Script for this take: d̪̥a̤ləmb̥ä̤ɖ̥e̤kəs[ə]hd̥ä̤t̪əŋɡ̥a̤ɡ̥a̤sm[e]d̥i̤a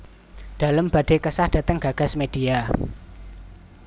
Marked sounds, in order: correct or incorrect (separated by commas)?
incorrect, correct